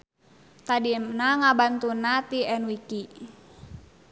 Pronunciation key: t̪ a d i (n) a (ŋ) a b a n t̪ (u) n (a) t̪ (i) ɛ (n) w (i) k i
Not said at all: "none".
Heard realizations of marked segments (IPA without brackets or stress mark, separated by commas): n, ŋ, u, a, i, n, i